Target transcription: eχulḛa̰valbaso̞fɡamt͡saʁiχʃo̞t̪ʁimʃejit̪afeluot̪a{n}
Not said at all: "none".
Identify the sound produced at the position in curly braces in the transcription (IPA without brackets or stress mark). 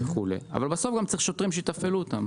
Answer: m